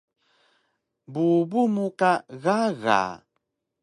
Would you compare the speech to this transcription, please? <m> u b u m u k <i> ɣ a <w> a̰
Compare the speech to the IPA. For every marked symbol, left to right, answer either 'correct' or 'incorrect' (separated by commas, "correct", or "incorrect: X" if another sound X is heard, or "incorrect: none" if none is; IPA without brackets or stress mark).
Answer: incorrect: b, incorrect: a, incorrect: ɣ